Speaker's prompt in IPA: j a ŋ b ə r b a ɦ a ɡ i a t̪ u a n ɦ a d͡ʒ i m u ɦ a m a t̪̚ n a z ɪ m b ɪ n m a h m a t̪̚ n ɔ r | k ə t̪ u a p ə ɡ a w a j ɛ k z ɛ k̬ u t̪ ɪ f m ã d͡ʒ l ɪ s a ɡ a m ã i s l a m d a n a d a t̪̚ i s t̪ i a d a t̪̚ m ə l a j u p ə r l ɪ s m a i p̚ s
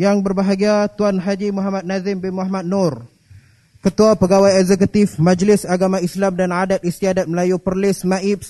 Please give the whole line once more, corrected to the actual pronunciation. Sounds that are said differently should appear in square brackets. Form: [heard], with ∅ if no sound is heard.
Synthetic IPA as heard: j a ŋ b ə r b a ɦ a ɡ i a t̪ u a n ɦ a d͡ʒ i m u ɦ a m a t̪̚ n a z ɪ m b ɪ n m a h m a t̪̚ n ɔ r | k ə t̪ u a p ə ɡ a w a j ɛ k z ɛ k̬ u t̪ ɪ f m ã d͡ʒ l ɪ s a ɡ a m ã i s l a m d a n a d a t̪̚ i s t̪ i a d a t̪̚ m ə l a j u p ə r l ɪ s m a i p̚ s